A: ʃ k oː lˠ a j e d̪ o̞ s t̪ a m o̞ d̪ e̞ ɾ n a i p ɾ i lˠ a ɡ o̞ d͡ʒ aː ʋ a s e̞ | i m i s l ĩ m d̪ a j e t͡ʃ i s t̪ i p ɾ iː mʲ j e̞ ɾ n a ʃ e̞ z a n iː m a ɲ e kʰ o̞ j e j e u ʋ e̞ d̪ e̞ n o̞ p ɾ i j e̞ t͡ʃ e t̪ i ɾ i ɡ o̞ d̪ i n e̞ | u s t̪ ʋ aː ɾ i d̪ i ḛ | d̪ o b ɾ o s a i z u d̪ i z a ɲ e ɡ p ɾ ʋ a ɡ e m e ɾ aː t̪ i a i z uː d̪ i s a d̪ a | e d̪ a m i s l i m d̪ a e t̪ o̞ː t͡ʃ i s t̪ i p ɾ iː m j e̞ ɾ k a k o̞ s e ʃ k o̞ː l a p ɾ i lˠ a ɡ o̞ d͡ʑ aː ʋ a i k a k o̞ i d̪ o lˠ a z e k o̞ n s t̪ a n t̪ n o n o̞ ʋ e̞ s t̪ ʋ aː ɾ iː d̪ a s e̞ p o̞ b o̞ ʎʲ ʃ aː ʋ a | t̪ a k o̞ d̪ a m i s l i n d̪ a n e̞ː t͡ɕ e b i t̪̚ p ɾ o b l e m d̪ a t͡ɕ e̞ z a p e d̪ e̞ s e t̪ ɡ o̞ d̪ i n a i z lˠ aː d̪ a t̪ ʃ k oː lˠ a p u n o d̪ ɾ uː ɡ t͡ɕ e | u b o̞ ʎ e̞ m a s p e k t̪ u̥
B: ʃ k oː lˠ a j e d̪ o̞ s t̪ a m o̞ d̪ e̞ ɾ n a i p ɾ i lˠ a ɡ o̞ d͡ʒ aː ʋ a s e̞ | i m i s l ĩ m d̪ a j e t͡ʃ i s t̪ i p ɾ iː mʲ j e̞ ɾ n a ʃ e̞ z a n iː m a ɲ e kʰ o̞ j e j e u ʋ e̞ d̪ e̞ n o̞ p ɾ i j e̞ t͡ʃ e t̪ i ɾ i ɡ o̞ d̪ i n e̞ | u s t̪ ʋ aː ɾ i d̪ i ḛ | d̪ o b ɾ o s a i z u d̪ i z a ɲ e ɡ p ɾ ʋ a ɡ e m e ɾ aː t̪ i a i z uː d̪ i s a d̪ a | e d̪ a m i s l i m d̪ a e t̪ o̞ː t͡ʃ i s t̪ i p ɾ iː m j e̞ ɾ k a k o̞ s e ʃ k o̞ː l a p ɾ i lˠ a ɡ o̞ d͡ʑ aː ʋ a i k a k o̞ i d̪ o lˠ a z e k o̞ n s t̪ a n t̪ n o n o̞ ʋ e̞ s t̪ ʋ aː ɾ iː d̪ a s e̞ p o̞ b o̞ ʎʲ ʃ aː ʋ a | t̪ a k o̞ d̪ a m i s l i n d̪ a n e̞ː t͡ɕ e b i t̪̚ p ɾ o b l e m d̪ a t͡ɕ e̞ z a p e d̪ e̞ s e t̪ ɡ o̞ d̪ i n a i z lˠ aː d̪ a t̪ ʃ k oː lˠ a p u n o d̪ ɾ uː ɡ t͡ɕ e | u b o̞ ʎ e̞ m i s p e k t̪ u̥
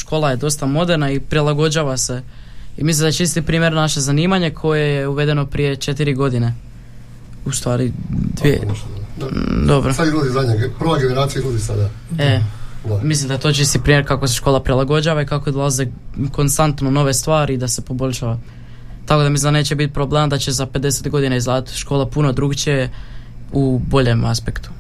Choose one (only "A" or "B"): A